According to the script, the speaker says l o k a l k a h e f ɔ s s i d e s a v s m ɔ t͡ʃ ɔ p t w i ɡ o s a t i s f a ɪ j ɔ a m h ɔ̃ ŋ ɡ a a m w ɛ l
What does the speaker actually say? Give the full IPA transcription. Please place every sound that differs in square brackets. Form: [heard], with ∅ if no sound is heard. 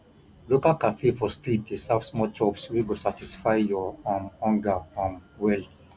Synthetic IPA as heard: l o k a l k a [f] e f ɔ s [t] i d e s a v s m ɔ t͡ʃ ɔ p [s] w i ɡ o s a t i s f a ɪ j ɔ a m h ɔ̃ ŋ ɡ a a m w ɛ l

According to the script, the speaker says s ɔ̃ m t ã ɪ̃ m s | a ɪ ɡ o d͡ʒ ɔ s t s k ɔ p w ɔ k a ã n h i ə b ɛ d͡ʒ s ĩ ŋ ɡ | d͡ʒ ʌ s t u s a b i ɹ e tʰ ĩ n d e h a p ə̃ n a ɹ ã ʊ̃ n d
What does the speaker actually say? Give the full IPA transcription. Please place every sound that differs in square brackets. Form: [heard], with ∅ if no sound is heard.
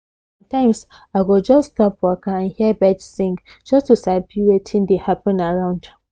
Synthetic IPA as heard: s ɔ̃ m t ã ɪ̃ m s | a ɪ ɡ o d͡ʒ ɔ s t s [t] ɔ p w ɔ k a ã n h i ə b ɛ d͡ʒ s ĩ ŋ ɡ | d͡ʒ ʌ s t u s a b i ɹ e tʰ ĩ n d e h a p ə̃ n a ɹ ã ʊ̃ n d

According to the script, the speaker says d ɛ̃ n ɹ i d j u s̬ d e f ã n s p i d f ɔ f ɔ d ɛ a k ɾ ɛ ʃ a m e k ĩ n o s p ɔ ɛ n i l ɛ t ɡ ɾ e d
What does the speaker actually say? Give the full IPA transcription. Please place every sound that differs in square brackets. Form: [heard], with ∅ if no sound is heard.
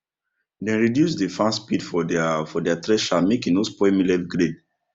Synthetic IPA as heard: d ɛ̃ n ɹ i d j u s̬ d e f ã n s p i d f ɔ f ɔ d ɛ a [t] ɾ ɛ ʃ a m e k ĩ n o s p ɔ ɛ [m] i l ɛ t ɡ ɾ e d

